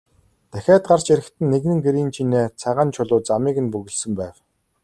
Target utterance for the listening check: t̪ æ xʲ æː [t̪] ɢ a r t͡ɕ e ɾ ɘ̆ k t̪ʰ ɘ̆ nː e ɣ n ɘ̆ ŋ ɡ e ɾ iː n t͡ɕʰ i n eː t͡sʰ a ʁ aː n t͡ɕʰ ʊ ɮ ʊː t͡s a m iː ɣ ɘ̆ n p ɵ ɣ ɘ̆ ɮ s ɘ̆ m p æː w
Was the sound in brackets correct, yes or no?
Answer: yes